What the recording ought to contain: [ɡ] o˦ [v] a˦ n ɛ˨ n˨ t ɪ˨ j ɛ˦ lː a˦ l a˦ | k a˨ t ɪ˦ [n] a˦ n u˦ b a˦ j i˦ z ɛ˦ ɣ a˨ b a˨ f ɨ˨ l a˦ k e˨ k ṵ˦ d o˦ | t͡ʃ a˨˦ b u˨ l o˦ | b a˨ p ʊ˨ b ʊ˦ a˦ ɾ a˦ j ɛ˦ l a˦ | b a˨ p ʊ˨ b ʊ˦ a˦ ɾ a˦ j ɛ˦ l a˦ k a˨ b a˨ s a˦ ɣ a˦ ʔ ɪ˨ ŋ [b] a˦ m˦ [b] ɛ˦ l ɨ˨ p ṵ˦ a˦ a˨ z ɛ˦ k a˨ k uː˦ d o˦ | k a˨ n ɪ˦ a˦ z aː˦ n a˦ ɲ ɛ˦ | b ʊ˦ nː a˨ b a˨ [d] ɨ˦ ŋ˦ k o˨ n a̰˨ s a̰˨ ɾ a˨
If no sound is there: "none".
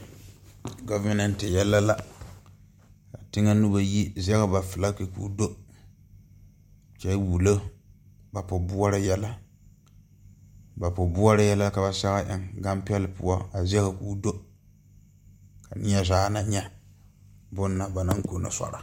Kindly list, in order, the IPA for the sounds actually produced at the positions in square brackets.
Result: ɡ, v, ŋ, ɡ, p, n

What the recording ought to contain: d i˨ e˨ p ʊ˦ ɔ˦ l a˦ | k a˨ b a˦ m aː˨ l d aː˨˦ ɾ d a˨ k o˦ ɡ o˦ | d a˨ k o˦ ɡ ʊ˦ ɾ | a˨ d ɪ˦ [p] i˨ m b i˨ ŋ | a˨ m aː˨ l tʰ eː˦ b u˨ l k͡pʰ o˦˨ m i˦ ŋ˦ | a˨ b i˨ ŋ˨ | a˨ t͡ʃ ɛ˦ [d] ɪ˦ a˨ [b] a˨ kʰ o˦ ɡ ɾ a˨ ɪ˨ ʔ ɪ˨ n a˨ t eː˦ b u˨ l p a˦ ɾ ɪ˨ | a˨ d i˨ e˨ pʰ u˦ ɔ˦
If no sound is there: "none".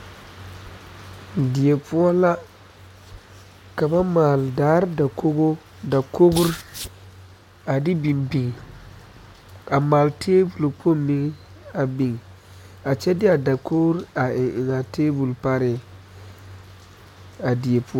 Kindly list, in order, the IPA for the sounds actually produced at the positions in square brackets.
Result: b, d, d

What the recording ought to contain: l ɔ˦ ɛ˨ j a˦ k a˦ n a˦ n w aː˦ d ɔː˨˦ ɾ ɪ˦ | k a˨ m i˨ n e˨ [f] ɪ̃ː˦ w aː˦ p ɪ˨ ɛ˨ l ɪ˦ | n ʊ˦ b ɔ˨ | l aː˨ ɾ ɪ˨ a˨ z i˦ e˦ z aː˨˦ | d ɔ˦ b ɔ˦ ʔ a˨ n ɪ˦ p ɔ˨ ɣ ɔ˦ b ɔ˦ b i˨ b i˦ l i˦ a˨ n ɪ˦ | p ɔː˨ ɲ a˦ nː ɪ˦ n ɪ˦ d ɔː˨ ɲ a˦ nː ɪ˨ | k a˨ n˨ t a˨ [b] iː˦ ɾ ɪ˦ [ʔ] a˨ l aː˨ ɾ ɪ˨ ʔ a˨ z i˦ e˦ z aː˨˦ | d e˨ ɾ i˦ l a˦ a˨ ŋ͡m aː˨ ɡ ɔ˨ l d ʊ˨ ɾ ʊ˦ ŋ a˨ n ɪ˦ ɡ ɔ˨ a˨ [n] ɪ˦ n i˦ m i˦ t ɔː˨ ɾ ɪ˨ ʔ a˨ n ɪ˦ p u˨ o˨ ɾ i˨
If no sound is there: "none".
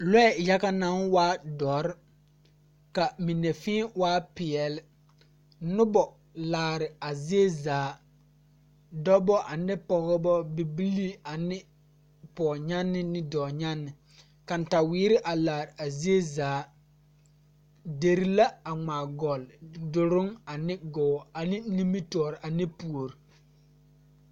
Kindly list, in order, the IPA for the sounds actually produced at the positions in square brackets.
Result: f, w, ʔ, n

